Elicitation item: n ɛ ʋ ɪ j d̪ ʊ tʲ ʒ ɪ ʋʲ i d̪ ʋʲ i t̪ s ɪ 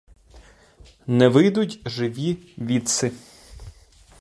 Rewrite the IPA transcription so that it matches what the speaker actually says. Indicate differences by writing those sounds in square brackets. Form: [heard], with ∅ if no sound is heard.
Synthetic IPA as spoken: n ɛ ʋ ɪ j d̪ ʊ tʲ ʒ ɪ ʋʲ i [∅] ʋʲ i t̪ s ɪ